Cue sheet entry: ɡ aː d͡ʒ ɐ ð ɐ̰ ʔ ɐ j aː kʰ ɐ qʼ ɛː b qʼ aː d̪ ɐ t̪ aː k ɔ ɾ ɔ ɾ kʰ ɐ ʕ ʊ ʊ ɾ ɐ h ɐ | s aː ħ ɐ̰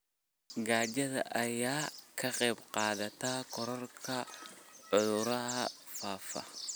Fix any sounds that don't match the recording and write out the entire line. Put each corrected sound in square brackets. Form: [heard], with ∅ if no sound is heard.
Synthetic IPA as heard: ɡ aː d͡ʒ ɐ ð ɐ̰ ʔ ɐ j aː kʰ ɐ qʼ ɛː b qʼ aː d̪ ɐ t̪ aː k ɔ ɾ ɔ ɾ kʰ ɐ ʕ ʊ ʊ ɾ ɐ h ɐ | [f] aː [f] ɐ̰